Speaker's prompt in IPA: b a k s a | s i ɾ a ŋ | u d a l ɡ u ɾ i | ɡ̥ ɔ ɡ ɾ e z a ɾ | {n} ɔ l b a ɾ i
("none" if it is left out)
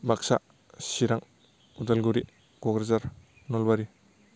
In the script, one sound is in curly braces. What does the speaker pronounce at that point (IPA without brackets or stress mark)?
n